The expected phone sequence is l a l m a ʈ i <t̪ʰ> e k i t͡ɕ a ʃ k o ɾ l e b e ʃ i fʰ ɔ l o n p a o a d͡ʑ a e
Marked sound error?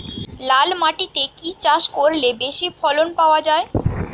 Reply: yes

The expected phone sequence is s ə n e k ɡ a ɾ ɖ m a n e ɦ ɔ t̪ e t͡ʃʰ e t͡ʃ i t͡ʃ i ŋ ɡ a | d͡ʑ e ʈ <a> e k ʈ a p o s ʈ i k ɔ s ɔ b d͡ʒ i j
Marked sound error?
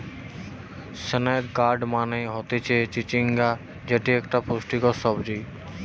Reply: yes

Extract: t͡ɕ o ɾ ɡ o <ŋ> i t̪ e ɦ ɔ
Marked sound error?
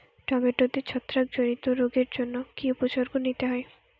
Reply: yes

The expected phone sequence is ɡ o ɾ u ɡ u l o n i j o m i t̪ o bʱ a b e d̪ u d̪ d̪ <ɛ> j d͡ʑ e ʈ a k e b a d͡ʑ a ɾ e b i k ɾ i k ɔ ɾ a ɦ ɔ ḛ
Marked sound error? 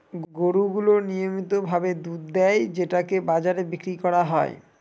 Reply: no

